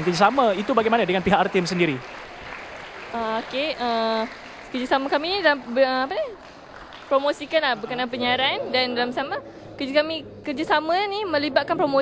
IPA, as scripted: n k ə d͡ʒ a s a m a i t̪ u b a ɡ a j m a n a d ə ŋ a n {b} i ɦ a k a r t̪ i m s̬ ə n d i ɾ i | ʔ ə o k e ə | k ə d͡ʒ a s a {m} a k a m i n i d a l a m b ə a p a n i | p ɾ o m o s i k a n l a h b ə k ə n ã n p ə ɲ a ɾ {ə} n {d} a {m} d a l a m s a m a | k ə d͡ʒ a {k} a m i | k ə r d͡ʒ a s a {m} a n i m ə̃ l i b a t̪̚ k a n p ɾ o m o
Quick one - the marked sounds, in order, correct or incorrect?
incorrect, correct, incorrect, correct, incorrect, correct, correct

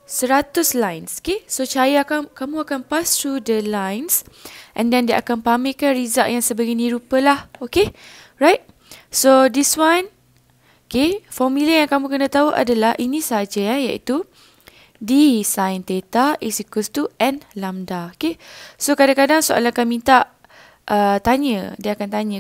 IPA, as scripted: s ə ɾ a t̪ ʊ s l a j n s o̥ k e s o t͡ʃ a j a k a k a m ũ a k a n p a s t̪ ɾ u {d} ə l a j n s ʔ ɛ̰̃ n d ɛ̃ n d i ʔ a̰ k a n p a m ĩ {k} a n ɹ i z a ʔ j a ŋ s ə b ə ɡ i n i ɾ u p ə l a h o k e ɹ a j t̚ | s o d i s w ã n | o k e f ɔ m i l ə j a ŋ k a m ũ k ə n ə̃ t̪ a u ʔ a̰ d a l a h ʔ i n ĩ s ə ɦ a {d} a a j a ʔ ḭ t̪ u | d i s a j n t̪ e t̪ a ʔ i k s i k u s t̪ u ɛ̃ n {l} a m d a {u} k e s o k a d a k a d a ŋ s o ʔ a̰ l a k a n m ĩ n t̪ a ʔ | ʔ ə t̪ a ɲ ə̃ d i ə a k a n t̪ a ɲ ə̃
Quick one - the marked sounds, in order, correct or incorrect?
correct, correct, incorrect, correct, incorrect

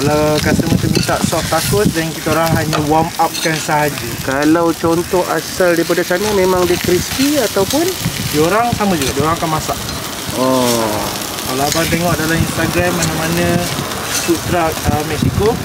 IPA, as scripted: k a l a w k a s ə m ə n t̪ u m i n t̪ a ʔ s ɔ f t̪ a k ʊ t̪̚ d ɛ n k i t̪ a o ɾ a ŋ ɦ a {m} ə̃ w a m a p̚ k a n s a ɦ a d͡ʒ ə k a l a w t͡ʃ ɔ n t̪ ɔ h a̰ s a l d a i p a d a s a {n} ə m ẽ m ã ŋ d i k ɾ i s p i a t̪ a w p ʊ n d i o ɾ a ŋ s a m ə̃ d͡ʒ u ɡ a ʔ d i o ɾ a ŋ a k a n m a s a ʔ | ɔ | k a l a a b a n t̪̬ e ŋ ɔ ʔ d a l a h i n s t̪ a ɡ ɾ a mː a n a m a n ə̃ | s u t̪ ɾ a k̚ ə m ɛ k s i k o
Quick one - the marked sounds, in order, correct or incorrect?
incorrect, correct

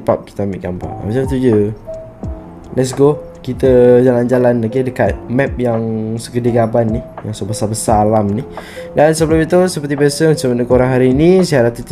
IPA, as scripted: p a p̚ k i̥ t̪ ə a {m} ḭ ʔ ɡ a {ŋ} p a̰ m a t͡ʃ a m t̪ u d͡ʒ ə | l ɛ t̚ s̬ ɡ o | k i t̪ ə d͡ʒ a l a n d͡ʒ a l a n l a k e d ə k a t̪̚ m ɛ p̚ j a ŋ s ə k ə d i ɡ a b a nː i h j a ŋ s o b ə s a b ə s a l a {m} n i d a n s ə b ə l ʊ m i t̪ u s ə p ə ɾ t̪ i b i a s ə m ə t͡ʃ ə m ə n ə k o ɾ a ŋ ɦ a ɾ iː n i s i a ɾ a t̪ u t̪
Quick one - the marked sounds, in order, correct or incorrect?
correct, incorrect, correct

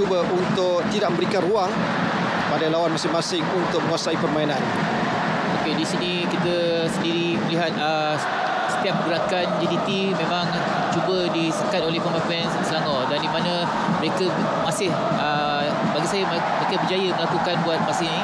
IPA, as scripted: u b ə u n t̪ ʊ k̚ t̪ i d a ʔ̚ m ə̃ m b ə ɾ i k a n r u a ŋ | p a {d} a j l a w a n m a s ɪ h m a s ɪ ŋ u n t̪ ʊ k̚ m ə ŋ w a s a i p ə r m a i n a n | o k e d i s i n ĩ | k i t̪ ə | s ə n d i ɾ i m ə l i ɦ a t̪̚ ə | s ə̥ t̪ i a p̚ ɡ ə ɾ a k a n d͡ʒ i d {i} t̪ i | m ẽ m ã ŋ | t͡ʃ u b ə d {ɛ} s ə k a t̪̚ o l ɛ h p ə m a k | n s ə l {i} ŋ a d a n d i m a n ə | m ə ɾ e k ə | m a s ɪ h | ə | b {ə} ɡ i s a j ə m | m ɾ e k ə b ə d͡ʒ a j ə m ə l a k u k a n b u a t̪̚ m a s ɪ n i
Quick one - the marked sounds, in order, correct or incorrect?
correct, correct, incorrect, incorrect, incorrect

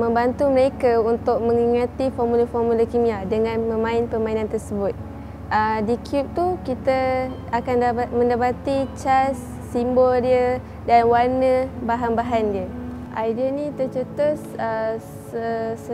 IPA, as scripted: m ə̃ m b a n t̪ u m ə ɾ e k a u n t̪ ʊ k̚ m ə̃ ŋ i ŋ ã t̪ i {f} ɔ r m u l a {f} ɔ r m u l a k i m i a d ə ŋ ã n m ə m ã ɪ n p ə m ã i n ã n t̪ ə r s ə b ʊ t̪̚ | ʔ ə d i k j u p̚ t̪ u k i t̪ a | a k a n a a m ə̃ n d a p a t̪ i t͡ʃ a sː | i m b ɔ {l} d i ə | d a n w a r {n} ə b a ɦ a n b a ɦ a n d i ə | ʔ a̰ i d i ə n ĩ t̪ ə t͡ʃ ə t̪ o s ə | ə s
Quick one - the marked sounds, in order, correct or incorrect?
correct, correct, correct, correct

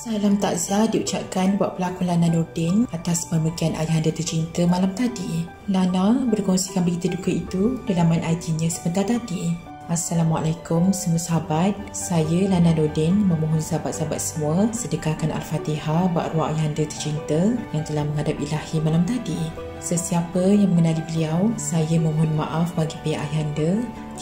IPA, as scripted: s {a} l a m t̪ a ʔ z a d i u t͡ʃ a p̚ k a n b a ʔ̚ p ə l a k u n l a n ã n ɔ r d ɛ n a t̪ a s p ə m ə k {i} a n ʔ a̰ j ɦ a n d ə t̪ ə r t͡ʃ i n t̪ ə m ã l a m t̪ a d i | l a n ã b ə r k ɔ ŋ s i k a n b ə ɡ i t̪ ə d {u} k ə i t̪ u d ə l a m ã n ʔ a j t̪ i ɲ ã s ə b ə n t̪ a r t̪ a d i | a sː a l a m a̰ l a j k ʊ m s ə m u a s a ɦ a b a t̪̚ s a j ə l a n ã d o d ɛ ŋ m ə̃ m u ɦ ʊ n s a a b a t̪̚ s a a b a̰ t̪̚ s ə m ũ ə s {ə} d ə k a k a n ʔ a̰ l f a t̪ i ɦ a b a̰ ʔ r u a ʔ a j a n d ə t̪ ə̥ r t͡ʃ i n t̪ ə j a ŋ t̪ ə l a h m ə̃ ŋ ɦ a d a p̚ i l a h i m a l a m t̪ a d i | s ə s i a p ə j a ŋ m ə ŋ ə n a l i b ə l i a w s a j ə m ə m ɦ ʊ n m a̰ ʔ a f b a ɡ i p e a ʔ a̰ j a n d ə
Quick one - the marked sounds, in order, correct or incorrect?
correct, correct, correct, correct

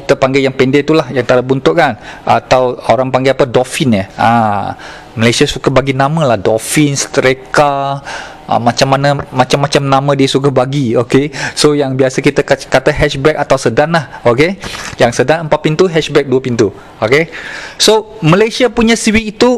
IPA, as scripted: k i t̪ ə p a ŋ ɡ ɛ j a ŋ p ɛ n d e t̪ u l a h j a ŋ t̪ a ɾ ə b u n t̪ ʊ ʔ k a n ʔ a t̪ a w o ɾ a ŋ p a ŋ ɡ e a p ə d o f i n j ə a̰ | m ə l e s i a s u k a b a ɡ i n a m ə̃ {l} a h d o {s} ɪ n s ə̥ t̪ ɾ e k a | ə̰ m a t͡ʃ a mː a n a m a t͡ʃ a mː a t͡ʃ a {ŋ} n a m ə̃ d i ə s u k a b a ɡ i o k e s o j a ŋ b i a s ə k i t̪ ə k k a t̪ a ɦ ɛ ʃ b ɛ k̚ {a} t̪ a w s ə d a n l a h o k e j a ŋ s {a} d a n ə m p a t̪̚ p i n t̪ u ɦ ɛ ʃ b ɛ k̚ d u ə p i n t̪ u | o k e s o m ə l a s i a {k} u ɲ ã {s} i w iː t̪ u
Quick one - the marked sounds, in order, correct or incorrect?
correct, incorrect, incorrect, correct, incorrect, incorrect, correct

